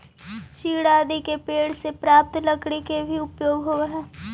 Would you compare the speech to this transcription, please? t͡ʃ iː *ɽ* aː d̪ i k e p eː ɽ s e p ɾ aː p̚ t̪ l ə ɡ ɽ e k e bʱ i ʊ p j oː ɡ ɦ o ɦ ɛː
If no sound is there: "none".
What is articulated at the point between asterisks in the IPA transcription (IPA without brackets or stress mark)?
ɽ